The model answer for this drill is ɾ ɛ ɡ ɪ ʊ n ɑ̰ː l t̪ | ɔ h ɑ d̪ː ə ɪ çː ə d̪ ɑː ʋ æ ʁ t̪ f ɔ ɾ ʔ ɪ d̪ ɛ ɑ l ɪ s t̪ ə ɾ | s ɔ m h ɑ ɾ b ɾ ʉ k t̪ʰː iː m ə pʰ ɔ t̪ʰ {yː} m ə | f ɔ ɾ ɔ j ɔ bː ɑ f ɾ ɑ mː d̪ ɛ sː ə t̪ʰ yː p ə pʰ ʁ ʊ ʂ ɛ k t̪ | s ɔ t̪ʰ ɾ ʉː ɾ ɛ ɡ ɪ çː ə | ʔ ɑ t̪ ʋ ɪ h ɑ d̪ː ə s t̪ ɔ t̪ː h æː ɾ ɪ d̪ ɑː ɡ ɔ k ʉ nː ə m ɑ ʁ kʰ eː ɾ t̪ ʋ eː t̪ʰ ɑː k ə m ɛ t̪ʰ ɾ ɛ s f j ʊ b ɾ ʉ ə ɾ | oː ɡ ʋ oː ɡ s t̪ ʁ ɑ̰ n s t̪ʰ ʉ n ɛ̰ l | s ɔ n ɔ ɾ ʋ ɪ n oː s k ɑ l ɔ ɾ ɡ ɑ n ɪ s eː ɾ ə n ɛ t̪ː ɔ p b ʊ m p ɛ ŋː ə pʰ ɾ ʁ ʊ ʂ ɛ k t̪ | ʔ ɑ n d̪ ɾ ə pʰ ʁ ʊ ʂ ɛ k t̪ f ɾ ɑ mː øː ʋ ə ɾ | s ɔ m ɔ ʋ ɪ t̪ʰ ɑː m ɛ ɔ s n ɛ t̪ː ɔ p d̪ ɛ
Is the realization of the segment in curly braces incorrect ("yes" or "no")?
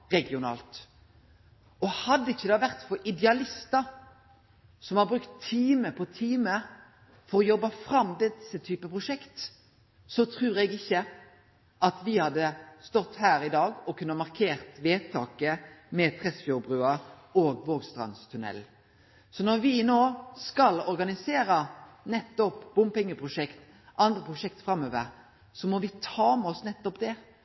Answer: yes